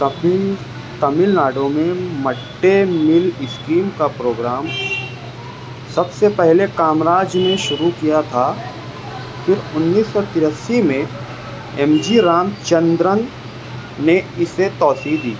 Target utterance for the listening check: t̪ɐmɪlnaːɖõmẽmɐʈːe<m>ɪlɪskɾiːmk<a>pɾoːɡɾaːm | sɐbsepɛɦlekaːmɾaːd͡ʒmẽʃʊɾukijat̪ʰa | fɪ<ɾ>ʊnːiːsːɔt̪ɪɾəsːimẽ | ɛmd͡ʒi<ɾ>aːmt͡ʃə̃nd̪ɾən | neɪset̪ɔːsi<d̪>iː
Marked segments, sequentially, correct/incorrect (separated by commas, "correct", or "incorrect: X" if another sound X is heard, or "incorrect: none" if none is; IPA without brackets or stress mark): correct, correct, correct, correct, correct